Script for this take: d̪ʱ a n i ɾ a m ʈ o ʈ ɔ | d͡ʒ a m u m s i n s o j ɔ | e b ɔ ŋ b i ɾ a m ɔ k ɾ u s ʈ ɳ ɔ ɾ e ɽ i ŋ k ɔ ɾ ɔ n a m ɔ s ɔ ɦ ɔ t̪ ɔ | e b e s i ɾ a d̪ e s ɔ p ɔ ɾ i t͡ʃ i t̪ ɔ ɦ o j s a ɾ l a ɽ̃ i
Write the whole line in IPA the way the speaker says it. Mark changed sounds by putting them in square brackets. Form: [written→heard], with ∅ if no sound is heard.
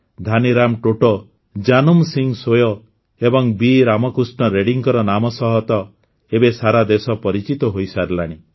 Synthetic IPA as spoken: d̪ʱ a n i ɾ a m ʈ o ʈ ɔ | d͡ʒ a [m→n] u m s i [n→ŋ] s o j ɔ | e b ɔ ŋ b i ɾ a m ɔ k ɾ u s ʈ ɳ ɔ ɾ e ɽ i ŋ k ɔ ɾ ɔ n a m ɔ s ɔ ɦ ɔ t̪ ɔ | e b e s [i→a] ɾ a d̪ e s ɔ p ɔ ɾ i t͡ʃ i t̪ ɔ ɦ o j s a ɾ l a ɽ̃ i